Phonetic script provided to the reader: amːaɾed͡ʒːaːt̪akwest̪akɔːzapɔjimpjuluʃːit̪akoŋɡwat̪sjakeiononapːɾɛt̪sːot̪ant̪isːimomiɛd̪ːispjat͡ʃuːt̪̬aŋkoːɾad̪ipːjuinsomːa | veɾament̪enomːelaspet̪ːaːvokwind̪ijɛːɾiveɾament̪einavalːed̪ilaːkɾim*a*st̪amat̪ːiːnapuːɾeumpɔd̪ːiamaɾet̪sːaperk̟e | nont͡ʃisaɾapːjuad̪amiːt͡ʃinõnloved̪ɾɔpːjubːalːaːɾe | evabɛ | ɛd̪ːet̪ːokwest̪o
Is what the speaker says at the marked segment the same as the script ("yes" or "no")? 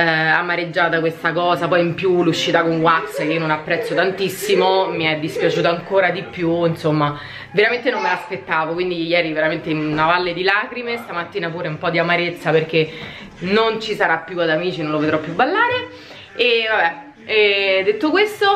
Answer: no